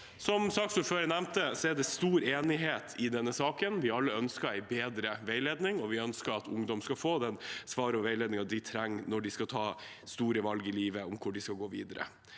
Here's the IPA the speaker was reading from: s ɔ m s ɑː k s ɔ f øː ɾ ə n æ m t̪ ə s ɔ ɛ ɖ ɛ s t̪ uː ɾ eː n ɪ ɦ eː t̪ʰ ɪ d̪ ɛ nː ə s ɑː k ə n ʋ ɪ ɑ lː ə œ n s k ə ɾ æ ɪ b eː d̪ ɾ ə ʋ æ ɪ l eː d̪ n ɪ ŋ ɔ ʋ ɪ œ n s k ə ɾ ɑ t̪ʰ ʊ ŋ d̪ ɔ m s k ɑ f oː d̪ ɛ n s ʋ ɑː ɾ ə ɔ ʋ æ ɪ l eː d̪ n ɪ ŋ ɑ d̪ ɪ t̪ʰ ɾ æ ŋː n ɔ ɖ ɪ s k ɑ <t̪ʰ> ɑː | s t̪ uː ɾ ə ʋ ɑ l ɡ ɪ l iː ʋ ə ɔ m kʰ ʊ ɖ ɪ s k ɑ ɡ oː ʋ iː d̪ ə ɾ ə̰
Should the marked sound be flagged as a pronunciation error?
no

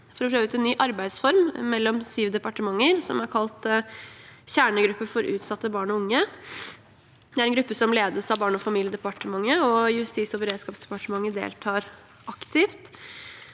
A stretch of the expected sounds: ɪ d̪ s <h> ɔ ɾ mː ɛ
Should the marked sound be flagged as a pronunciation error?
yes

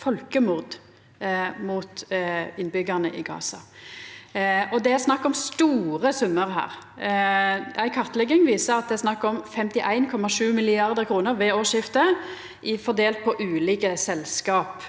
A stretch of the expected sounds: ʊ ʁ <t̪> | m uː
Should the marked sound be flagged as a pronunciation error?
yes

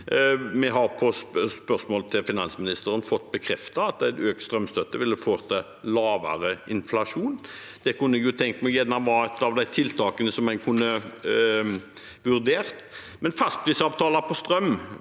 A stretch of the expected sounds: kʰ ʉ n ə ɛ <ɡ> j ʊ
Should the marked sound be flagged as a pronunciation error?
no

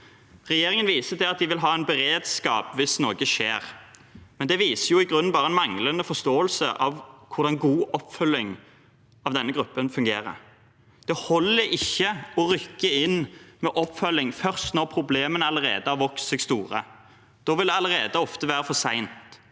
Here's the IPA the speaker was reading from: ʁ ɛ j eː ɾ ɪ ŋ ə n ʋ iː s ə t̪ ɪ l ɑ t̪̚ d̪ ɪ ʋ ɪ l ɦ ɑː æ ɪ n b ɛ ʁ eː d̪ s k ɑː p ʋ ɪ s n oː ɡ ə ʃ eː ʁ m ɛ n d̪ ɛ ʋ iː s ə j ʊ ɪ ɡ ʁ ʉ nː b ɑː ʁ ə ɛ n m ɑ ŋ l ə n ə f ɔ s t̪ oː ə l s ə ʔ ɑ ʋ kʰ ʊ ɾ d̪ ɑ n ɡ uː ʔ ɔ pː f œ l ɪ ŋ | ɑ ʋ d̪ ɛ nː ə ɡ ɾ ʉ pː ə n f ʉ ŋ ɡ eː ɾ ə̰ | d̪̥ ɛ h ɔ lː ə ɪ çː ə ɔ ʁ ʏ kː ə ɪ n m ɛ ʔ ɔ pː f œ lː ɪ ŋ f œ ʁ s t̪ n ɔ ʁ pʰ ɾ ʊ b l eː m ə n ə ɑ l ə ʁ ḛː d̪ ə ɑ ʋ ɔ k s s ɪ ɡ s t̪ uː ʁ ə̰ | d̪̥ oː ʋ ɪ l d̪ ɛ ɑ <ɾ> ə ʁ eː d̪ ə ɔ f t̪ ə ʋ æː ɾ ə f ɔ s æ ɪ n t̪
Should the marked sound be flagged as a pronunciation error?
yes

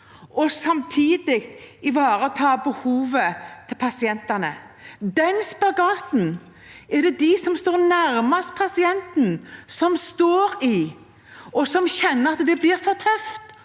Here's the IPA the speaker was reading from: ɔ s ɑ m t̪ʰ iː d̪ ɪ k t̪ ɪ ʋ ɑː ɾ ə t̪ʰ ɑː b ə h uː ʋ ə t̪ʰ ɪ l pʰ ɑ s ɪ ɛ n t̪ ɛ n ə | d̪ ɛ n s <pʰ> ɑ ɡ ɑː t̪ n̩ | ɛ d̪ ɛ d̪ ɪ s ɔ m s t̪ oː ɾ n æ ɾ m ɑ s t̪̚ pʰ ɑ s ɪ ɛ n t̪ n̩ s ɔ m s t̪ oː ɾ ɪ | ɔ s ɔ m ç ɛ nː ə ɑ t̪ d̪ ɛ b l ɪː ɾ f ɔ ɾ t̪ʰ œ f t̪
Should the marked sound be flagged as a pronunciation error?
yes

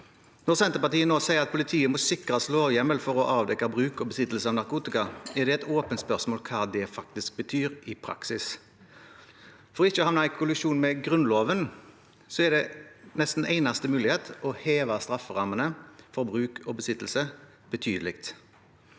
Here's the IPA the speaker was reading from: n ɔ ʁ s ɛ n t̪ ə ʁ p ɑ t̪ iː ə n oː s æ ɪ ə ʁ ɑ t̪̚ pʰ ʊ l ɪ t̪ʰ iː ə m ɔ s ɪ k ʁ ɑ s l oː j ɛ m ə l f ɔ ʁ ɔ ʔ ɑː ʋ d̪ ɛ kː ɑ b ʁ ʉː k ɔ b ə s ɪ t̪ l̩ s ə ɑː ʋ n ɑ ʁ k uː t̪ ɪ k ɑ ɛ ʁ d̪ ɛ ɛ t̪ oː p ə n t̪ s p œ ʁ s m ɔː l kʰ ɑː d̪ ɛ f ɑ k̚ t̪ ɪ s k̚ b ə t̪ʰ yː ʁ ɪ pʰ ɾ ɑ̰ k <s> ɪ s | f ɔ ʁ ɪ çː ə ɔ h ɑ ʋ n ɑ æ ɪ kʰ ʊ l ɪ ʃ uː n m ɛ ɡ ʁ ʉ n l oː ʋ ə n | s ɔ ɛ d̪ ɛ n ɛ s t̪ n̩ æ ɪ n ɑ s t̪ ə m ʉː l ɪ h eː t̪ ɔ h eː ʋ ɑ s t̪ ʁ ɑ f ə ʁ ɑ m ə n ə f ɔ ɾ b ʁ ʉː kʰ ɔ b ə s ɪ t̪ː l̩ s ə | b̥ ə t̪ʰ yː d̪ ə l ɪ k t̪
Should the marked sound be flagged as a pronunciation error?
no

